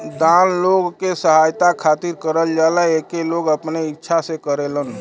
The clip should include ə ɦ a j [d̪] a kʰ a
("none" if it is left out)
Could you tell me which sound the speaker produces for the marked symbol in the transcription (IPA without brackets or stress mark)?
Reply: t̪